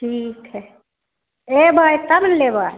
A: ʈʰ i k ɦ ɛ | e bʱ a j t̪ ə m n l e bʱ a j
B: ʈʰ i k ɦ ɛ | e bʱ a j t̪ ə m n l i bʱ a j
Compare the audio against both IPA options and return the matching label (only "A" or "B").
A